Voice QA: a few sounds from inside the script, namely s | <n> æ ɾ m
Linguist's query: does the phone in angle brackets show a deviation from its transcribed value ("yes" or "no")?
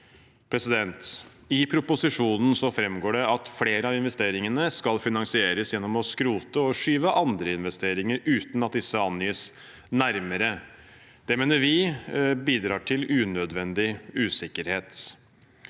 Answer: no